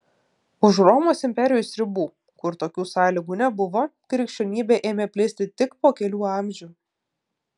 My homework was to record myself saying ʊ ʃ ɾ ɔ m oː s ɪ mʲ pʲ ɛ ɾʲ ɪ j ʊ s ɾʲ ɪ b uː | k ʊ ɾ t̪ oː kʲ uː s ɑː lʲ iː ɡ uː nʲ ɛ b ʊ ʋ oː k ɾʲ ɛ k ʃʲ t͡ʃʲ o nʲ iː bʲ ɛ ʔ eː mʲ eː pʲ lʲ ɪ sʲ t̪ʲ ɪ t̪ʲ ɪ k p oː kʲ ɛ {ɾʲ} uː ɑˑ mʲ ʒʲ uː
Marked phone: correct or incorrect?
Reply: incorrect: lʲ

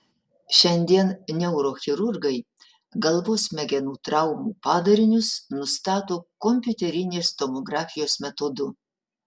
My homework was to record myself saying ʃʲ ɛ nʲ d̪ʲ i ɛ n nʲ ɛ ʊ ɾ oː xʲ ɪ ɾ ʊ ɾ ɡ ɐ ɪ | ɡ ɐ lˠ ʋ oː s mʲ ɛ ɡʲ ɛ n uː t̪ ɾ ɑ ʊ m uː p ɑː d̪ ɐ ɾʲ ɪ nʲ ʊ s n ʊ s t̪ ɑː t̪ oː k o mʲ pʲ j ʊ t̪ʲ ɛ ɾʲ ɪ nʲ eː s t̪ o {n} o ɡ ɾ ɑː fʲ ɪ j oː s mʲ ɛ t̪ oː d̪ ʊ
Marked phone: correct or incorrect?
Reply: incorrect: m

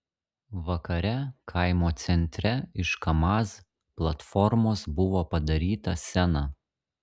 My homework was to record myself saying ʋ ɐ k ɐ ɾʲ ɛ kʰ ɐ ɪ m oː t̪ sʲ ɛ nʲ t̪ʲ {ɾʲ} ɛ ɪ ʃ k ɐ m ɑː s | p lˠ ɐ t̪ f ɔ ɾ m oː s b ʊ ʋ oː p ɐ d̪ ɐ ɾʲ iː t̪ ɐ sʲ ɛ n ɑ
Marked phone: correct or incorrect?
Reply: correct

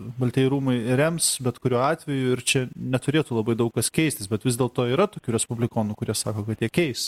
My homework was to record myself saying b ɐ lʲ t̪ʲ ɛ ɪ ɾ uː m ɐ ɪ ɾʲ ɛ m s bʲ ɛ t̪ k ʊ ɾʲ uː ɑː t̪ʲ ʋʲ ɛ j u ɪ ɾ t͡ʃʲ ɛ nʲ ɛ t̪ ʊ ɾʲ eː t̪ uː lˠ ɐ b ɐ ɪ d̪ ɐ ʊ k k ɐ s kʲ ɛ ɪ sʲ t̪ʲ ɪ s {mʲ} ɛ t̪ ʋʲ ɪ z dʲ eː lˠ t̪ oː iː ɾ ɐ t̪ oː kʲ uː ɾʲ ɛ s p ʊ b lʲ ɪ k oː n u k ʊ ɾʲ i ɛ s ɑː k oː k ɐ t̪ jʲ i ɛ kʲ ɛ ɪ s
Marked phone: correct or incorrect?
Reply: incorrect: bʲ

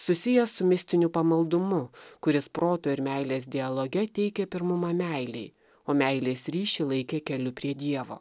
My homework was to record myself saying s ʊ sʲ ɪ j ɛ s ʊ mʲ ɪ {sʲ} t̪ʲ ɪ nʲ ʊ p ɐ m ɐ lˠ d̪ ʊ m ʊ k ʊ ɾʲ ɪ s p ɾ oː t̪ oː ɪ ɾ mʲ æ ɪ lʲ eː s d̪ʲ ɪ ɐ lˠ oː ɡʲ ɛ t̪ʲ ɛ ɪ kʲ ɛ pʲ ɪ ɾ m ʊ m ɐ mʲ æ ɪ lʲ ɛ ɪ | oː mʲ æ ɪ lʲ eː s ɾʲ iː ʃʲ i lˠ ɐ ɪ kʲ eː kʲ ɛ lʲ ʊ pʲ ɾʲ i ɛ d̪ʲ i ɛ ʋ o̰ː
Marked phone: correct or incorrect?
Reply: correct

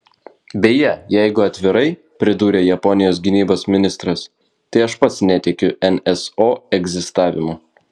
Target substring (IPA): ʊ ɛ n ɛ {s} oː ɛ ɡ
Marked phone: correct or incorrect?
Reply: correct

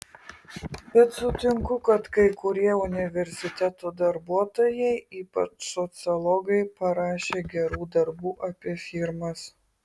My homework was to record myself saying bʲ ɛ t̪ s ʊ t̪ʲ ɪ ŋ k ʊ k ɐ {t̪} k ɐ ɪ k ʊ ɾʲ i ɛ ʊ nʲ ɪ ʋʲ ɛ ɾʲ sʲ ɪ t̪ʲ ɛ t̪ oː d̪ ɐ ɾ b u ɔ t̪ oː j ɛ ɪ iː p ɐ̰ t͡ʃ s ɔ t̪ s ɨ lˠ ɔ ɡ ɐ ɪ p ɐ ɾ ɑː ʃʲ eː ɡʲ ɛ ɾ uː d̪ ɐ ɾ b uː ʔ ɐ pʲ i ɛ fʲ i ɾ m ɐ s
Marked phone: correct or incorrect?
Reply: correct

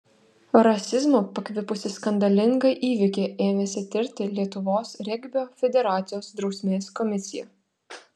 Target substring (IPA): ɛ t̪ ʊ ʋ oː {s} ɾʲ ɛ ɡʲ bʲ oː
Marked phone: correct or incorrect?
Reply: correct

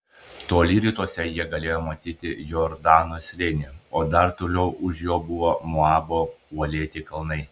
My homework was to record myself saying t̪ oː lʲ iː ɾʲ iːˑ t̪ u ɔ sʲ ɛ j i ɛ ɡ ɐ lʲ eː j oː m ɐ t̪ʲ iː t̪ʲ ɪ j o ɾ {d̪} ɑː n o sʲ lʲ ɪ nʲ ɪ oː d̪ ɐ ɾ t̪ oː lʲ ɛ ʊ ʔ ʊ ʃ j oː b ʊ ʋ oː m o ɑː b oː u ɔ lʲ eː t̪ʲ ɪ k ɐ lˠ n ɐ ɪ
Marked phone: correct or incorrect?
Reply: correct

